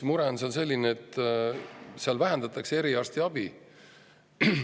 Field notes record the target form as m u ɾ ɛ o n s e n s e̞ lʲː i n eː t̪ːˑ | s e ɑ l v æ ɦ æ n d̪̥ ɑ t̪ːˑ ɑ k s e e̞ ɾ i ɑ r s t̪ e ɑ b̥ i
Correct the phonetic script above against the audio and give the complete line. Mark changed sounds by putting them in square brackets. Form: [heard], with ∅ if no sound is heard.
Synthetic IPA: m u ɾ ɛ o n s e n s e̞ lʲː i n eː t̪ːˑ | s e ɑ l v æ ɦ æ n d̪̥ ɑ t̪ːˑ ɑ k s e e̞ ɾ i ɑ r s t̪ [i] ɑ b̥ i